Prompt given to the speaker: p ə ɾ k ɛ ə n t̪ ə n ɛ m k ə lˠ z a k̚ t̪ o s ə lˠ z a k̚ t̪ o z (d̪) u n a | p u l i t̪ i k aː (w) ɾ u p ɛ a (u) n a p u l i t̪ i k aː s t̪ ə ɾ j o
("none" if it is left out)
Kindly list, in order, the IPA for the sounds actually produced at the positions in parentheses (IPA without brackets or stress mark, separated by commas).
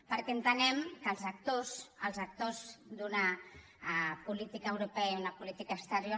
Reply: d̪, w, u